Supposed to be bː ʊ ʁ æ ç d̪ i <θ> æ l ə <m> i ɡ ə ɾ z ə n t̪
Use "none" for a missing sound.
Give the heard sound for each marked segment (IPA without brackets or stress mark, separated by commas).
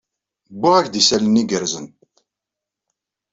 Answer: s, n